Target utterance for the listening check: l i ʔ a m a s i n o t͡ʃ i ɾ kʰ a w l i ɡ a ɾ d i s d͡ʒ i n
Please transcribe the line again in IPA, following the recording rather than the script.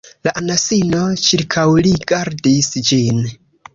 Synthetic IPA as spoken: l a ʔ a n a s i n o t͡ʃ i ɾ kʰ a w l i ɡ a ɾ d i s d͡ʒ i n